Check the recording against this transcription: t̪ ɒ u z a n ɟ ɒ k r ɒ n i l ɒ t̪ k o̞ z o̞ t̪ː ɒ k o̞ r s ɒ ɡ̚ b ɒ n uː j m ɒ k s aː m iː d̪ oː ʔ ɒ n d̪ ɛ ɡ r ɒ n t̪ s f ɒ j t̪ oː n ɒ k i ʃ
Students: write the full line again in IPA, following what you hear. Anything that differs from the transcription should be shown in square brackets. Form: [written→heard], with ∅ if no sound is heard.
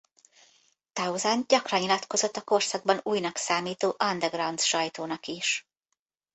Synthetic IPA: t̪ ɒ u z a n ɟ ɒ k r ɒ n i l ɒ t̪ k o̞ z o̞ t̪ː ɒ k o̞ r s ɒ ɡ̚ b ɒ n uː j [m→n] ɒ k s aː m iː [d̪→t̪] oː ʔ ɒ n d̪ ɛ ɡ r ɒ n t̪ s [f→ʃ] ɒ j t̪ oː n ɒ k i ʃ

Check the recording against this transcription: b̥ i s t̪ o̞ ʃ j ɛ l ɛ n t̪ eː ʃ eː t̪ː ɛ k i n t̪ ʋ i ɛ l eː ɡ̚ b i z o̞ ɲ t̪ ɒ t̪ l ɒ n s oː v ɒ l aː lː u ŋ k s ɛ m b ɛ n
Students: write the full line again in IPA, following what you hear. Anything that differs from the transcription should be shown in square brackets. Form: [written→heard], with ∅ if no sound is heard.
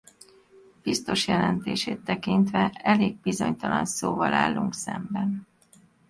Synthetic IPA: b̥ i s t̪ o̞ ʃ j ɛ l ɛ n t̪ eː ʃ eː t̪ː ɛ k i n t̪ ʋ [i→ɛ] ɛ l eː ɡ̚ b i z o̞ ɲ t̪ ɒ [t̪→∅] l ɒ n s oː v ɒ l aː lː u ŋ k s ɛ m b ɛ n

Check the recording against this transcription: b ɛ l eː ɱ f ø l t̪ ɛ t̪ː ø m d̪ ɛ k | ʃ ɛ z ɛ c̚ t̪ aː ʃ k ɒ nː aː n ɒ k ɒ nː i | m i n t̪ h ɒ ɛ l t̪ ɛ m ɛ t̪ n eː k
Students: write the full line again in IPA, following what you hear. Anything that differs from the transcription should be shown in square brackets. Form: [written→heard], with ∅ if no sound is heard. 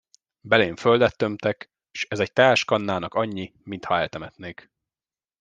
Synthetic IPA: b ɛ l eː ɱ f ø l [t̪→d̪] ɛ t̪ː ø m [d̪→t̪] ɛ k | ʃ ɛ z ɛ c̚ t̪ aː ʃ k ɒ nː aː n ɒ k ɒ [nː→ɲː] i | m i n t̪ h ɒ ɛ l t̪ ɛ m ɛ t̪ n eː k

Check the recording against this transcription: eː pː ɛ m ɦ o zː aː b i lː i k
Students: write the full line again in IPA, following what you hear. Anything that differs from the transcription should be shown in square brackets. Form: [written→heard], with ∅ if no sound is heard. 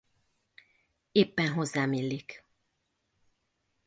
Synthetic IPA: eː pː ɛ [m→n] ɦ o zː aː [b→m] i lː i k

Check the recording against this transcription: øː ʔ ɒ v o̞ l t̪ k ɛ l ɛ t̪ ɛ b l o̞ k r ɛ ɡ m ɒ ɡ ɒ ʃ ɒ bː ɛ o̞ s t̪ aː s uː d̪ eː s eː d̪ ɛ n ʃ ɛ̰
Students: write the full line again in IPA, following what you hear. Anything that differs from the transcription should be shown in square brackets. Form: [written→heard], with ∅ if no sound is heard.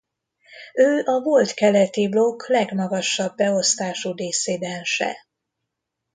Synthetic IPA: øː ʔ ɒ v o̞ l t̪ k ɛ l ɛ t̪ [ɛ→i] b l o̞ k [r→l] ɛ ɡ m ɒ ɡ ɒ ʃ ɒ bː ɛ o̞ s t̪ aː [s→ʃ] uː d̪ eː s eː d̪ ɛ n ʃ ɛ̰

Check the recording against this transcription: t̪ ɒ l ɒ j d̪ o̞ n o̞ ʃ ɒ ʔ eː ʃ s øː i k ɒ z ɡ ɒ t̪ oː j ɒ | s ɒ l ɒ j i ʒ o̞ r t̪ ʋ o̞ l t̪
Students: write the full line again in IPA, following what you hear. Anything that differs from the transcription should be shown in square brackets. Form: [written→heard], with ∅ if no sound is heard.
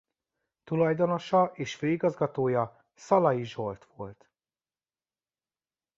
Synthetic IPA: t̪ [ɒ→u] l ɒ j d̪ o̞ n o̞ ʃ ɒ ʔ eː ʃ [s→f] øː i [k→ɡ] ɒ z ɡ ɒ t̪ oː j ɒ | s ɒ l ɒ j i ʒ o̞ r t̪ ʋ o̞ l t̪

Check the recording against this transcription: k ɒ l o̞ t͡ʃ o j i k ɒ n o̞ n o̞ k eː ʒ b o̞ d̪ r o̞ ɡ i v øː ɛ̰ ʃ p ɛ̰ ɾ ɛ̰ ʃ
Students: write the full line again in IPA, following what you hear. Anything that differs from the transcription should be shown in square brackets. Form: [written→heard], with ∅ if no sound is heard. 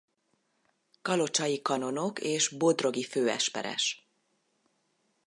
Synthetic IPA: k ɒ l o̞ t͡ʃ [o→ɒ] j i k ɒ n o̞ n o̞ k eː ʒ b o̞ d̪ r o̞ ɡ i [v→f] øː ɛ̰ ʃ p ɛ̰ ɾ ɛ̰ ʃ

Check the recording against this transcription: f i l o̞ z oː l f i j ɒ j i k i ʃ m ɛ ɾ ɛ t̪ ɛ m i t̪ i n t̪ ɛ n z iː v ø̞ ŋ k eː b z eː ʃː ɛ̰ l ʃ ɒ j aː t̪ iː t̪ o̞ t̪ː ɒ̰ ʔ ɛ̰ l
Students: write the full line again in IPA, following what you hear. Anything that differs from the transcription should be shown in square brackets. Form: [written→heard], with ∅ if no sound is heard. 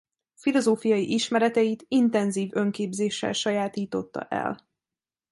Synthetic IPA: f i l o̞ z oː [l→∅] f i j ɒ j i [k→ʔ] i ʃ m ɛ ɾ ɛ t̪ ɛ [m→∅] i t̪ i n t̪ ɛ n z iː v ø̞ ŋ k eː b z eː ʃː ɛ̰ l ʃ ɒ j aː t̪ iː t̪ o̞ t̪ː ɒ̰ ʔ ɛ̰ l

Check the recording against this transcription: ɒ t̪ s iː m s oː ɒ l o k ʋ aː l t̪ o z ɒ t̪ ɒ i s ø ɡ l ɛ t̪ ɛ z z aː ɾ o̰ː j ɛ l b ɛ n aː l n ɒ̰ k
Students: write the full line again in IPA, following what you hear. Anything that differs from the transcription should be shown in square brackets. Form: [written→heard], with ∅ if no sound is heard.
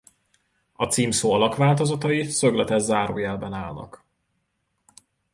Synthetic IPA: ɒ t̪ s iː m s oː ɒ l [o→ɒ] k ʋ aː l t̪ o z ɒ t̪ ɒ i s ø ɡ l ɛ t̪ ɛ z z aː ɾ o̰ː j ɛ l b ɛ n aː l n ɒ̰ k

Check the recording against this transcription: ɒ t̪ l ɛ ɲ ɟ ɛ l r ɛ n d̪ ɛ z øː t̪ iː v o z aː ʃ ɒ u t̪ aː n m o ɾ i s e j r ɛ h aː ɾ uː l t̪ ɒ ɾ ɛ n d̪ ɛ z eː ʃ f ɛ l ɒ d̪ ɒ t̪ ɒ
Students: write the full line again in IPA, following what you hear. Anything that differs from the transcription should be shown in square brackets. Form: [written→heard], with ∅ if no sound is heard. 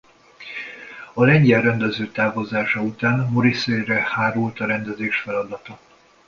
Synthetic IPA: ɒ [t̪→∅] l ɛ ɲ ɟ ɛ l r ɛ n d̪ ɛ z øː t̪ [iː→aː] v o z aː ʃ ɒ u t̪ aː n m o ɾ i s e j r ɛ h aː ɾ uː l t̪ ɒ ɾ ɛ n d̪ ɛ z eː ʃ f ɛ l ɒ d̪ ɒ t̪ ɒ

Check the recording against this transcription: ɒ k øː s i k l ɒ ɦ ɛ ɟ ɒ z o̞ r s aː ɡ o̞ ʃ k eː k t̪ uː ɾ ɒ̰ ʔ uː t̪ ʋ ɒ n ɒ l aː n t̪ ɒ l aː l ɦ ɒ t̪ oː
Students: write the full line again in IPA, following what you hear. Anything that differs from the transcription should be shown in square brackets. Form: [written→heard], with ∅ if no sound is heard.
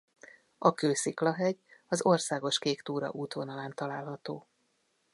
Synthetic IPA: ɒ k øː s i k l ɒ ɦ ɛ ɟ ɒ z o̞ r s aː ɡ o̞ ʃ k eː k t̪ uː ɾ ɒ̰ ʔ uː t̪ ʋ [ɒ→o] n ɒ l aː n t̪ ɒ l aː l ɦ ɒ t̪ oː

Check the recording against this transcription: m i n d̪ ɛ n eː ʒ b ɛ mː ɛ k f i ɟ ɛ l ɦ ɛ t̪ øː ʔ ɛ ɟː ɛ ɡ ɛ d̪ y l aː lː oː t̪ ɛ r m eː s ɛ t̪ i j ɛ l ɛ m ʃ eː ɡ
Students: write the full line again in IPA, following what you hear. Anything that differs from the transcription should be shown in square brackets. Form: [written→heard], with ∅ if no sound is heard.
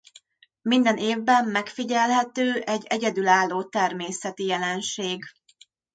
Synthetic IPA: m i n d̪ ɛ n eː [ʒ→v] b ɛ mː ɛ k f i ɟ ɛ l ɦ ɛ t̪ øː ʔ ɛ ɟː ɛ [ɡ→ɟ] ɛ d̪ y l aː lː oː t̪ ɛ r m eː s ɛ t̪ i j ɛ l ɛ [m→n] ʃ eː ɡ

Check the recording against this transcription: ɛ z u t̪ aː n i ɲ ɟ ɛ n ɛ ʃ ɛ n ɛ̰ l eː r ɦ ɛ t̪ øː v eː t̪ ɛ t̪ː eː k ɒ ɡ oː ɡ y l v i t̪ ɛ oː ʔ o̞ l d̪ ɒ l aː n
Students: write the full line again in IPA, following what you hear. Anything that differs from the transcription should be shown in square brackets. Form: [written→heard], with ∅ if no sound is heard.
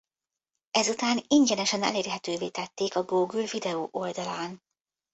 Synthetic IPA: ɛ z u t̪ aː n i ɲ ɟ ɛ n ɛ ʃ ɛ n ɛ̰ l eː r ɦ ɛ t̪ øː v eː t̪ ɛ t̪ː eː k ɒ ɡ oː ɡ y l v i [t̪→d̪] ɛ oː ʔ o̞ l d̪ ɒ l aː n

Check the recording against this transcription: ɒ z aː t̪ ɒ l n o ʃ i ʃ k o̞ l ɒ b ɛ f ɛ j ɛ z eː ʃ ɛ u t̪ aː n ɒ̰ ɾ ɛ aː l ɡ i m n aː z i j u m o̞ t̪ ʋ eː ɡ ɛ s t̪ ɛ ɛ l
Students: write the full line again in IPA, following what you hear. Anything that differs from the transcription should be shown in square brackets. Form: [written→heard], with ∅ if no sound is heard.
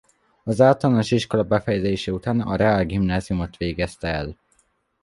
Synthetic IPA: ɒ z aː t̪ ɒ l n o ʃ i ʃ k o̞ l ɒ b ɛ f ɛ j ɛ z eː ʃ ɛ u t̪ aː n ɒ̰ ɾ ɛ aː l ɡ i m n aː z i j u m o̞ t̪ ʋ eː ɡ ɛ s t̪ ɛ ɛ l

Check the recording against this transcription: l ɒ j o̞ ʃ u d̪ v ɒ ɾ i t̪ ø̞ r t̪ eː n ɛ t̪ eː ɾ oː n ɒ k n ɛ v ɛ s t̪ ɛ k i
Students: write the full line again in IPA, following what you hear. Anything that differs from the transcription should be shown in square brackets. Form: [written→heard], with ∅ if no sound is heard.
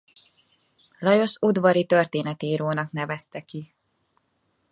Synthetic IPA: l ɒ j o̞ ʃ u d̪ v ɒ ɾ i t̪ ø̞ r t̪ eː n ɛ t̪ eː ɾ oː n ɒ k n ɛ v ɛ s t̪ ɛ k i

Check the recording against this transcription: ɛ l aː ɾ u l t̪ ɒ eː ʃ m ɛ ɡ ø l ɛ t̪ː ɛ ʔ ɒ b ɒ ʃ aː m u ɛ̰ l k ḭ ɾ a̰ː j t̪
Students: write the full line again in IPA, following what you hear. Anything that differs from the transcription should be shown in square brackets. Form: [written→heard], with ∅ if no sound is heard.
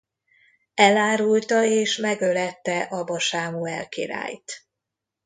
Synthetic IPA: ɛ l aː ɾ u l t̪ ɒ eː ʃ m ɛ ɡ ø l ɛ t̪ː ɛ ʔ ɒ b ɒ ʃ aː m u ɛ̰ l k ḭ ɾ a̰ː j t̪

